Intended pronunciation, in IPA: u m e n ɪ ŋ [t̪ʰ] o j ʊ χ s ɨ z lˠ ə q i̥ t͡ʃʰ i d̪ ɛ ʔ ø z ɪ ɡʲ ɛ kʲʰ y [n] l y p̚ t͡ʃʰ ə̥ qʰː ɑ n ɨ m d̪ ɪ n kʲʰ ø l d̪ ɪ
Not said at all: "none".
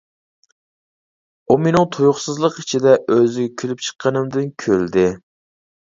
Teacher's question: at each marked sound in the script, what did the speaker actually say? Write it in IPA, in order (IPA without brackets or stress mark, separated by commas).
t̪ʰ, none